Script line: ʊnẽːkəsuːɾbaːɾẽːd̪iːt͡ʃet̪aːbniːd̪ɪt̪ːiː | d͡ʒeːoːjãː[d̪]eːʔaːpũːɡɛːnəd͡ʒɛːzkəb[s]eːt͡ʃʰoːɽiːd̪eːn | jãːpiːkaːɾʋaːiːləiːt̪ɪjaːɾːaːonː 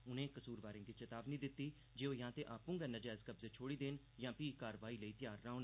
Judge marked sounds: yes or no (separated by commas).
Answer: no, no